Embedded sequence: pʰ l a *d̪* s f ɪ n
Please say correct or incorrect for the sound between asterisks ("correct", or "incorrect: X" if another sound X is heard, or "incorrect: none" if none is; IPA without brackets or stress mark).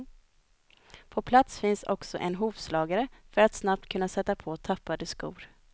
incorrect: t̪